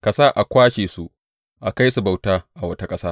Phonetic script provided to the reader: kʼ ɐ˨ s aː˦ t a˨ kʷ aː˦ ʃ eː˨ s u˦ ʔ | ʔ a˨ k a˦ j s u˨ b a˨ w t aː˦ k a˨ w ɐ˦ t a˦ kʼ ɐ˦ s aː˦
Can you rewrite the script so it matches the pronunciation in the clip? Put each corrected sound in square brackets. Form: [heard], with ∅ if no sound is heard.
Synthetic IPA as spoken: [k] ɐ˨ s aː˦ [ʔ] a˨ kʷ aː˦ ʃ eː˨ s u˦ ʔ | ʔ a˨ k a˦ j s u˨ b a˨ w t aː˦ [ʔ] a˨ w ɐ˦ t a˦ kʼ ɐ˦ s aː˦